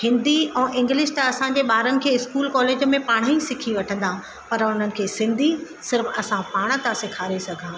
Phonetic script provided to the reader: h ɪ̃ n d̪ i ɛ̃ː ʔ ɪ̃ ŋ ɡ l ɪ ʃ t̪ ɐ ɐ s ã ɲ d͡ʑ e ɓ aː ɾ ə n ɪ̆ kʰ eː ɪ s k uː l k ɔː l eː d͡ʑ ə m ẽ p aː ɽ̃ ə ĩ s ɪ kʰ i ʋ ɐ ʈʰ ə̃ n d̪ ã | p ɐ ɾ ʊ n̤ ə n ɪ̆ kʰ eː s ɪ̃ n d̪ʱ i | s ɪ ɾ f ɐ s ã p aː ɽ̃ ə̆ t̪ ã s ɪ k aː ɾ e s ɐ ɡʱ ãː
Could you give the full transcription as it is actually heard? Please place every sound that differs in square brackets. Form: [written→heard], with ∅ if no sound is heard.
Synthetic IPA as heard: h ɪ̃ n d̪ i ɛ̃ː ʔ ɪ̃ ŋ ɡ l ɪ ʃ t̪ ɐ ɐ s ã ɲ d͡ʑ e ɓ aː ɾ ə n ɪ̆ kʰ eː ɪ s k uː l k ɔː l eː d͡ʑ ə m ẽ p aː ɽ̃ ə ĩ s ɪ kʰ i ʋ ɐ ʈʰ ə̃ n d̪ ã | p ɐ ɾ ʊ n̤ ə n ɪ̆ kʰ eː s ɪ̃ n d̪ʱ i | s ɪ ɾ f ɐ s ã p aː ɽ̃ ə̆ t̪ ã s ɪ [k→kʰ] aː ɾ e s ɐ ɡʱ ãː